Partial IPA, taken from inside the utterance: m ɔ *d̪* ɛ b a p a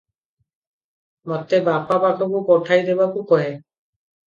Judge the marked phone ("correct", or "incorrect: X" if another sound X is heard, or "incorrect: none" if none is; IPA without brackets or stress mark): incorrect: t̪